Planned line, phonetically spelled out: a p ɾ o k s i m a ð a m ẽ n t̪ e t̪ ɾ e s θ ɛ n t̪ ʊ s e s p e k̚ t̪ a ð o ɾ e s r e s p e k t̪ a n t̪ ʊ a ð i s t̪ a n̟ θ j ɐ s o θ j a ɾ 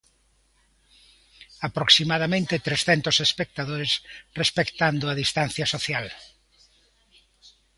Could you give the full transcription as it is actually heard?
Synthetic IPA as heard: a p ɾ o k s i m a ð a m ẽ n t̪ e t̪ ɾ e s θ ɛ n t̪ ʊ s e s p e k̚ t̪ a ð o ɾ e s r e s p e k t̪ a n d̪ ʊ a ð i s t̪ a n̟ θ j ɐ s o θ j a l